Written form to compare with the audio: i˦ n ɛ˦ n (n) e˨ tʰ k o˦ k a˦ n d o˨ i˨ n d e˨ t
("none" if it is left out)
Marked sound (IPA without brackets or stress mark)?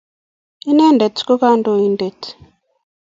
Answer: d